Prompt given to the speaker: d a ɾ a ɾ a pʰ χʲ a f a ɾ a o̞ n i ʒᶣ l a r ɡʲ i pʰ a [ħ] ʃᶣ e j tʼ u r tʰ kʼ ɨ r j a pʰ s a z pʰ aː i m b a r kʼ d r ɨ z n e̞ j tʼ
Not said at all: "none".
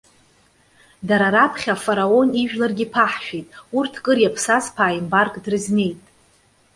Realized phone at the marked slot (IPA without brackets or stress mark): ħ